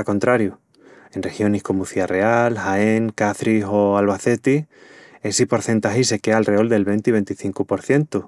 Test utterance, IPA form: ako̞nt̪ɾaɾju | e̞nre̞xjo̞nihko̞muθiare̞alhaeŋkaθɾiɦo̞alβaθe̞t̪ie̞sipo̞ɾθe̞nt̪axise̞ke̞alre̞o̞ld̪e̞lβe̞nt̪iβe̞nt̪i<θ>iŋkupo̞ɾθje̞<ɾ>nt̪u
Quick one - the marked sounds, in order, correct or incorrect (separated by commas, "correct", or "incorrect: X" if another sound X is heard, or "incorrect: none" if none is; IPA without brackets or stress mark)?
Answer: correct, incorrect: none